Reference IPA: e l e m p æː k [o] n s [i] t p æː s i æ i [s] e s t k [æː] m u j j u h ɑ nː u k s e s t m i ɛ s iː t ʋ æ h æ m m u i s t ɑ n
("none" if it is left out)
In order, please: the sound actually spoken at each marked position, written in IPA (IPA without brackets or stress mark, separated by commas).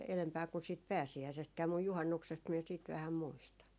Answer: u, iː, s, æː